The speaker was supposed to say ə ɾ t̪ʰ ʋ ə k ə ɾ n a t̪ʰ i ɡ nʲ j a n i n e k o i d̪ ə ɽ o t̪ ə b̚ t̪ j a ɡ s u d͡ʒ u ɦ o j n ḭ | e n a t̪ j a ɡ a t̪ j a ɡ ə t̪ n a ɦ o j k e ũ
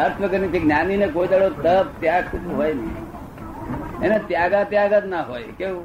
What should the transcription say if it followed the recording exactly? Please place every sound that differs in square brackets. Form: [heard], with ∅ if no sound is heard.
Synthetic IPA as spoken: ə ɾ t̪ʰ ʋ ə k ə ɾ n [i] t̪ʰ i ɡ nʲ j a n i n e k o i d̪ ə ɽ o t̪ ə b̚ t̪ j a ɡ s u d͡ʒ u ɦ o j n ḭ | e n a t̪ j a ɡ a t̪ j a ɡ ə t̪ n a ɦ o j k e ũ